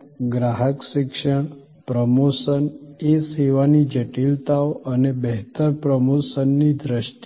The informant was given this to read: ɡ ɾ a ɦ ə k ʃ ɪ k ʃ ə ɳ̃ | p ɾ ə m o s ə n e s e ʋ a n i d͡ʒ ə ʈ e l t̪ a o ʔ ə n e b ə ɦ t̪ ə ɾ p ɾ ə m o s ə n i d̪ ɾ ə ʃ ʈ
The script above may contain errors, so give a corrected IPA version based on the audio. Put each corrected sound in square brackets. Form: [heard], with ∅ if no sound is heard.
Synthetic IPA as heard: ɡ ɾ a ɦ ə k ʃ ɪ k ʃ ə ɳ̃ | p ɾ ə m o s ə n e s e ʋ a n i d͡ʒ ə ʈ [i] l t̪ a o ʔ ə n e b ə ɦ t̪ ə ɾ p ɾ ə m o s ə [nː] i d̪ ɾ ə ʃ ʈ